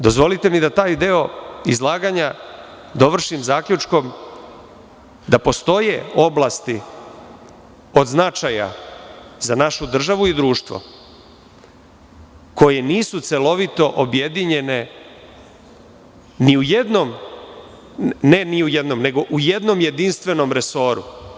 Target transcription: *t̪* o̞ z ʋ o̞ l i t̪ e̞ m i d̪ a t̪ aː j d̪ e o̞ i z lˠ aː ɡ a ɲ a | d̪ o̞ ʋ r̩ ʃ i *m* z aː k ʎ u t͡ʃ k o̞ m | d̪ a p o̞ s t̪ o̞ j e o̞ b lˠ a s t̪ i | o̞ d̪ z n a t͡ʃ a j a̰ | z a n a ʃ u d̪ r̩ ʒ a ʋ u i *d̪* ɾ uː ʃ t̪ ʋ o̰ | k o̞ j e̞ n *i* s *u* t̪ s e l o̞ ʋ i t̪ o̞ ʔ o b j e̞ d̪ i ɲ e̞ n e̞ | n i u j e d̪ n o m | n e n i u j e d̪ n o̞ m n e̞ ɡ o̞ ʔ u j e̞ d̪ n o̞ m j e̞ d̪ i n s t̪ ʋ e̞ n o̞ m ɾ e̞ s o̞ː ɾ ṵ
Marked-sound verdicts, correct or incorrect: incorrect: d̪, correct, correct, incorrect: iː, correct

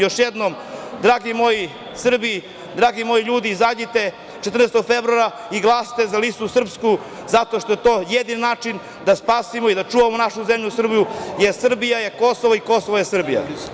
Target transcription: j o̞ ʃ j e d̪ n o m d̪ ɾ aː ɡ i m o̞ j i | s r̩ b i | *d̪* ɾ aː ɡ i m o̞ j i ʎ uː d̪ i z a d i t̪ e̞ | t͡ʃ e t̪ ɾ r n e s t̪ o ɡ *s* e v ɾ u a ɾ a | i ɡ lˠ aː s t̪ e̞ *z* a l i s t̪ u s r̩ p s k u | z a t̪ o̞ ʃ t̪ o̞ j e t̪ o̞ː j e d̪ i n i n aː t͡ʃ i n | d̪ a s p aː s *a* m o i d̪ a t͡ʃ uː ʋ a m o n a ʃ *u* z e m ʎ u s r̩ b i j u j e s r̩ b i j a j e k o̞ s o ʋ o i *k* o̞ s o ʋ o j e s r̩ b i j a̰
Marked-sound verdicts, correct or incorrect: correct, incorrect: f, correct, incorrect: i, correct, correct

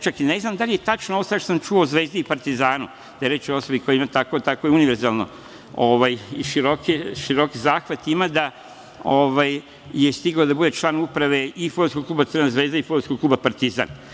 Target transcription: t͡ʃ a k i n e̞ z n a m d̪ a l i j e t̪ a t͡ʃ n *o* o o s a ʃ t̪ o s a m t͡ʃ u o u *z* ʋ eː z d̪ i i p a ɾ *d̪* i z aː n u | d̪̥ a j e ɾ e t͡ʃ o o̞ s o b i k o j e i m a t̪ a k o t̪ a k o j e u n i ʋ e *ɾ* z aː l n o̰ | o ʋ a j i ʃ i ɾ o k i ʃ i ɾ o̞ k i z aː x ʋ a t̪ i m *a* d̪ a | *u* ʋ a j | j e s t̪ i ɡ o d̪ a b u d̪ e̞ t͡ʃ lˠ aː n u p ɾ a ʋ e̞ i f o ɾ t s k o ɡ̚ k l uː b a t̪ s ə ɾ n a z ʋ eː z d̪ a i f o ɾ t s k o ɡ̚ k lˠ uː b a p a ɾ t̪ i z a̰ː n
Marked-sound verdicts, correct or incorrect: correct, correct, incorrect: t̪, correct, correct, incorrect: o

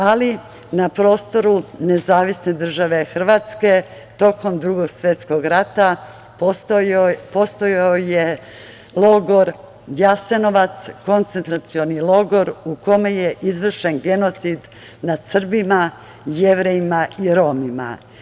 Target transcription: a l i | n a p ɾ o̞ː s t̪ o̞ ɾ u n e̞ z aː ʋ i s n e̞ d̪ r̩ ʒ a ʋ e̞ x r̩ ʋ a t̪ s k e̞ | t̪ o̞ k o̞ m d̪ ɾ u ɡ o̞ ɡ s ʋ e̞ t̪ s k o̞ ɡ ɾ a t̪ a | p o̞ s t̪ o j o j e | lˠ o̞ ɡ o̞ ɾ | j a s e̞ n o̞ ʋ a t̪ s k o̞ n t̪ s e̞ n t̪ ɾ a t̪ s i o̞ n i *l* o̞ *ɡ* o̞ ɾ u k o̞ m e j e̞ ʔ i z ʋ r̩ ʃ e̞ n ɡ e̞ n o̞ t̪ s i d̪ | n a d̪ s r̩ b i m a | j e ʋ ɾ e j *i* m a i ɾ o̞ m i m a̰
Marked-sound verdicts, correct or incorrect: correct, correct, correct

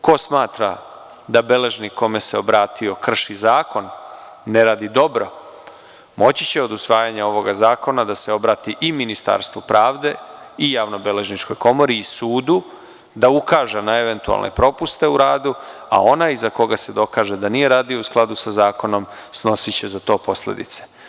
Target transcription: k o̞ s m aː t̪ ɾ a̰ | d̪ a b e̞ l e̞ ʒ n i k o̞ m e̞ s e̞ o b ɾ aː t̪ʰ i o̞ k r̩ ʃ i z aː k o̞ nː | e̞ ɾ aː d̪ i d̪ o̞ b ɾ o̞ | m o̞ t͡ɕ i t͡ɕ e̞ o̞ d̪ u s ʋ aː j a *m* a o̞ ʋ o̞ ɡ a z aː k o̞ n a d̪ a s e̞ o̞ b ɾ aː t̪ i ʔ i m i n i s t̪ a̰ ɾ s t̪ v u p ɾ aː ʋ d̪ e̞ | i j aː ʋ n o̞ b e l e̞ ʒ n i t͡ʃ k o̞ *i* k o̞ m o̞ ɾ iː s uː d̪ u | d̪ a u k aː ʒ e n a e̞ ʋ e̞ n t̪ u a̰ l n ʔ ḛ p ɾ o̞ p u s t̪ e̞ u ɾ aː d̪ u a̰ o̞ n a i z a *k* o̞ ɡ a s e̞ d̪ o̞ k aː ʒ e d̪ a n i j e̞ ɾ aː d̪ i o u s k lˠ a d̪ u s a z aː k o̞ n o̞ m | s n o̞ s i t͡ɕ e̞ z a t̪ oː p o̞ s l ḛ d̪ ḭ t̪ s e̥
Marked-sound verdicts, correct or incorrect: incorrect: ɲ, incorrect: j, correct

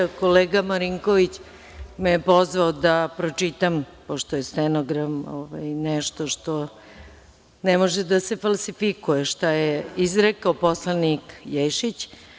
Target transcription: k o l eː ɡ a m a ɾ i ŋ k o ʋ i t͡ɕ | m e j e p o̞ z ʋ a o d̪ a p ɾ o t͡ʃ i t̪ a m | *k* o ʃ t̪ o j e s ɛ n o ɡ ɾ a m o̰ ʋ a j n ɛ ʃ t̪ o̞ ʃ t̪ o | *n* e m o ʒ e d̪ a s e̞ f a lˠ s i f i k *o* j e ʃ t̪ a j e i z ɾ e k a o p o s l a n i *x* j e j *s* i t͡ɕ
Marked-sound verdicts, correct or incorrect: incorrect: p, correct, incorrect: u, incorrect: k, incorrect: ʃ

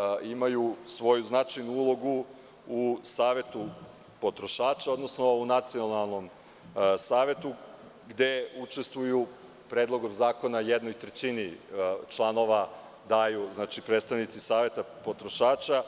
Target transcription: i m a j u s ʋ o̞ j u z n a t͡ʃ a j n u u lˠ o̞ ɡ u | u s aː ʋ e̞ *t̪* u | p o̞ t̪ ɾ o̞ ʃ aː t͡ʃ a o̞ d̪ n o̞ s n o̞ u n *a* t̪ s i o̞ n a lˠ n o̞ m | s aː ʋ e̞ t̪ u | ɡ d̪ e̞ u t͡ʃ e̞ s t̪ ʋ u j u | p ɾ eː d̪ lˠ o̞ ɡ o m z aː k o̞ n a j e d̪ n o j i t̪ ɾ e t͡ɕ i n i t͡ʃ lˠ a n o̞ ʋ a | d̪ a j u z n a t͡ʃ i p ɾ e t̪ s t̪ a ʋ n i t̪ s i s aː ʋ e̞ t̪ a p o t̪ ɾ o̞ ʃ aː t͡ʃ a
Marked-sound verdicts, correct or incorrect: correct, correct

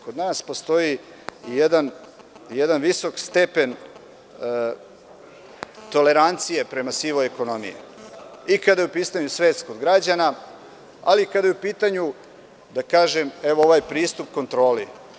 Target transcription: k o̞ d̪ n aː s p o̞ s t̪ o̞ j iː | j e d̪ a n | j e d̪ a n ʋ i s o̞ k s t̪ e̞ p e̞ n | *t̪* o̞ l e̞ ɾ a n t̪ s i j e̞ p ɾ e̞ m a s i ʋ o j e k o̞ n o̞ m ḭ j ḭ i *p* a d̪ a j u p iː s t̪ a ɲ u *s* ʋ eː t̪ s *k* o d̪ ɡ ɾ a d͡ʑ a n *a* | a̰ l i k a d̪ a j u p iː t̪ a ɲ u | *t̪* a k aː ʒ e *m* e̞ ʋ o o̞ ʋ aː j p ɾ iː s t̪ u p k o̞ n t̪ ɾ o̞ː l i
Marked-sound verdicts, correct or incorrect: correct, incorrect: k, correct, correct, correct, incorrect: d̪, correct

